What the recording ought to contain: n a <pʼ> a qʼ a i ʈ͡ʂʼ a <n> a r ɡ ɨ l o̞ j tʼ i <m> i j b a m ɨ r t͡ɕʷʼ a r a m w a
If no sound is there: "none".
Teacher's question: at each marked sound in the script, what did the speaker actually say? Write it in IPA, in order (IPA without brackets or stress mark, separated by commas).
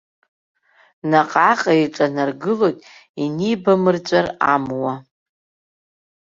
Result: qʼ, n, n